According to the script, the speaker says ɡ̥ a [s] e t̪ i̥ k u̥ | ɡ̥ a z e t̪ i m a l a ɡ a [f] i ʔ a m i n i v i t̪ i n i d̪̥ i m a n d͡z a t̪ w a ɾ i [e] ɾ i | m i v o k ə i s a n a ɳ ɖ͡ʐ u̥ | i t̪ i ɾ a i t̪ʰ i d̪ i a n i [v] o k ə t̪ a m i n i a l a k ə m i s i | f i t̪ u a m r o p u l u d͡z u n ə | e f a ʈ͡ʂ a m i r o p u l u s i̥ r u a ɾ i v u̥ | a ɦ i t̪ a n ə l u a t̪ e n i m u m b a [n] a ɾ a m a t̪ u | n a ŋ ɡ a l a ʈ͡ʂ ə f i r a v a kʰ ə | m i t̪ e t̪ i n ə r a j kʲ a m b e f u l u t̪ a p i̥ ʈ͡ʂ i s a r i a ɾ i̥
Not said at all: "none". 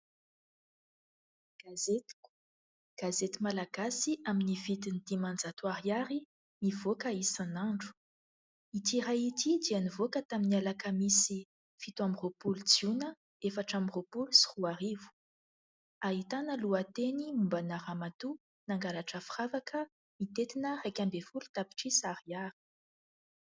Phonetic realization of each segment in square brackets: z, s, a, v, n

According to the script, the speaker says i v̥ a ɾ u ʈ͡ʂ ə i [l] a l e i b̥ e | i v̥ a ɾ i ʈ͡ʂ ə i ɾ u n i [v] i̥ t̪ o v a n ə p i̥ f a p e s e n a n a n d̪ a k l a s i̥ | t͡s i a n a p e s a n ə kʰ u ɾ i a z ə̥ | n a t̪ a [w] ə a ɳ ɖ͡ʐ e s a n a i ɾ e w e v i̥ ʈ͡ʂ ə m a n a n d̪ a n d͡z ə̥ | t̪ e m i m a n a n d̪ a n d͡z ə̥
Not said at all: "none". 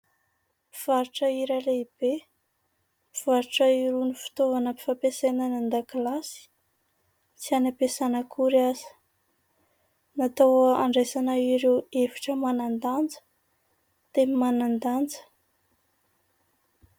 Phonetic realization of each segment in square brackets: ɾ, f, w

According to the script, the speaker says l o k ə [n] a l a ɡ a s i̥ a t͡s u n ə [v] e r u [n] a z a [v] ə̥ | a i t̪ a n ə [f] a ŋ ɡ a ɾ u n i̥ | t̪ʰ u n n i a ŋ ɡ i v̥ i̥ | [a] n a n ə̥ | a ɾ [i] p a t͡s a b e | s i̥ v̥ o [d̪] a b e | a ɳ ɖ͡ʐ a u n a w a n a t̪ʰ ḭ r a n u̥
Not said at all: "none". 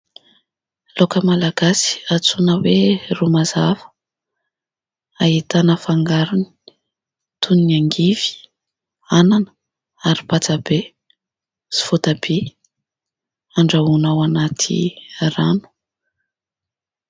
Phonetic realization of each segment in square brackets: m, w, m, v, f, a, i, t̪

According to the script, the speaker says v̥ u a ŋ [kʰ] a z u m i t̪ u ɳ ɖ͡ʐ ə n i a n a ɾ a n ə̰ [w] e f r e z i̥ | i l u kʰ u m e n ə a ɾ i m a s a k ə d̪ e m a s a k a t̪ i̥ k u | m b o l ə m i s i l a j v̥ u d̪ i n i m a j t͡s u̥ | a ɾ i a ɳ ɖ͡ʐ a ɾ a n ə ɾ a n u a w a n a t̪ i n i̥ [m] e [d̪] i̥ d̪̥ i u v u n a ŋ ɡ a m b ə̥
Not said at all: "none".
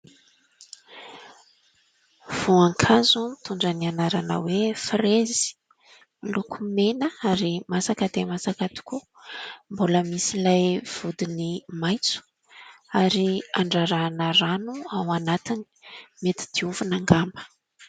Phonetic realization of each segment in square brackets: kʰ, w, m, t̪

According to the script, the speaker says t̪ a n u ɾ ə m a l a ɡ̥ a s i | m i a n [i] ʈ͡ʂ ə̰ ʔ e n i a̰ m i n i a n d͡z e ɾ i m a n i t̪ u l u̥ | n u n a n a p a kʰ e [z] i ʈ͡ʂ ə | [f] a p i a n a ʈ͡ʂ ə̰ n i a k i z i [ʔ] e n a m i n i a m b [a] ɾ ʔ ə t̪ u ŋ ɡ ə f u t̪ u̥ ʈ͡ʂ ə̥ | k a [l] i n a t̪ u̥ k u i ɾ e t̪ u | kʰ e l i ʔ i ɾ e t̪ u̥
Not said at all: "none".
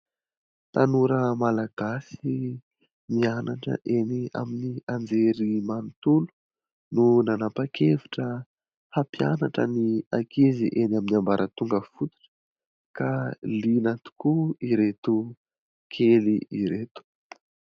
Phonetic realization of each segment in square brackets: a, v, h, ʔ, a, l

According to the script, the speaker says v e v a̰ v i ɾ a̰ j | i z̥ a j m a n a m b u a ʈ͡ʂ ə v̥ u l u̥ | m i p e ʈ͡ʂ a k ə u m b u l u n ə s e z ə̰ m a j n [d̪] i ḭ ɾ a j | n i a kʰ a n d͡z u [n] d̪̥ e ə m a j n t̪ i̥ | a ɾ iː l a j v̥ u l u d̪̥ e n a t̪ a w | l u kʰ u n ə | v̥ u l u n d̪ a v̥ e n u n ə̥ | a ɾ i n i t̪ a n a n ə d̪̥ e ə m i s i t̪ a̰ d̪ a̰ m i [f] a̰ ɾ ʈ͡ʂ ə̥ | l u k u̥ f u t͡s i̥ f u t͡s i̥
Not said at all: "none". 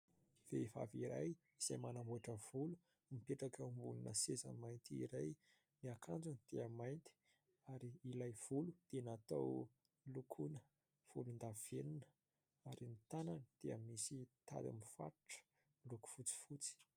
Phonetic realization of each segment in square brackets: t̪, n, f

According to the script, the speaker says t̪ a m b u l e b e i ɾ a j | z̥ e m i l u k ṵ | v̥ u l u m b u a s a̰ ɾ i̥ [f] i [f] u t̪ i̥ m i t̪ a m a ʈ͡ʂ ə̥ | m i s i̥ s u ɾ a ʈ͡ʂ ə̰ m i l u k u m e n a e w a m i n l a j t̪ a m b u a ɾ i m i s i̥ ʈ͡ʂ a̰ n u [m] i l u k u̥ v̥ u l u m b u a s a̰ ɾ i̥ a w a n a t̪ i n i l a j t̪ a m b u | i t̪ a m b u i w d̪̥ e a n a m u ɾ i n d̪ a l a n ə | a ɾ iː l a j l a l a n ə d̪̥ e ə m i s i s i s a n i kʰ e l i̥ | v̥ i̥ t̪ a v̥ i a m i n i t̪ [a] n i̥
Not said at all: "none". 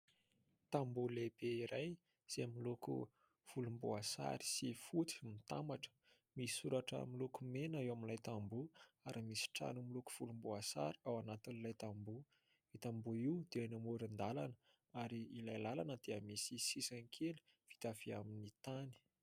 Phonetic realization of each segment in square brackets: s, f, m, a

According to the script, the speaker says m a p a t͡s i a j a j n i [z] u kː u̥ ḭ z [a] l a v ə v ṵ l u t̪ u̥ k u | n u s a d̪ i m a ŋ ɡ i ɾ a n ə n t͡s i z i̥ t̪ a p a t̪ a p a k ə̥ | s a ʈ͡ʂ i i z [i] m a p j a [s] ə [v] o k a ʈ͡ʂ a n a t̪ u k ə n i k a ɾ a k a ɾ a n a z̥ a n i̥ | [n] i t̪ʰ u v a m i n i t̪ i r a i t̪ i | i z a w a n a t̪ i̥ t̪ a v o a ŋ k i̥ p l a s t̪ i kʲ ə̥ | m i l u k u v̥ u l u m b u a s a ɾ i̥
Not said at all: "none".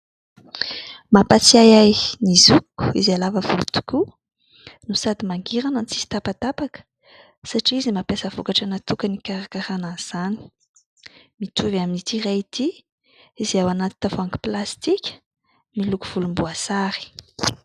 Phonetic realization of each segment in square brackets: z, a, i, s, v, m

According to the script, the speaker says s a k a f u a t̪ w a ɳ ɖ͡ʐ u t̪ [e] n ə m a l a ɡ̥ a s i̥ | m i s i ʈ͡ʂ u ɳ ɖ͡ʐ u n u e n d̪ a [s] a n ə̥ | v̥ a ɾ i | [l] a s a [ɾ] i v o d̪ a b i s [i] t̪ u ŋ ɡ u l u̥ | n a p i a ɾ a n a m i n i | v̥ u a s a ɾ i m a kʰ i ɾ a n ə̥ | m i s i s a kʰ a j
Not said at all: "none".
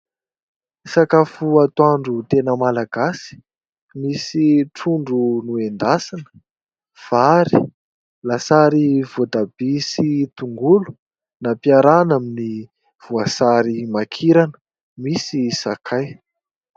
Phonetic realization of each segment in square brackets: e, s, l, ɾ, i

